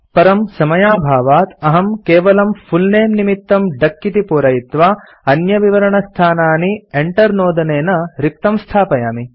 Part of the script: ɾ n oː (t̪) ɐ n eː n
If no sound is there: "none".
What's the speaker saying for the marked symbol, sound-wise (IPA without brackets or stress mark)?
d̪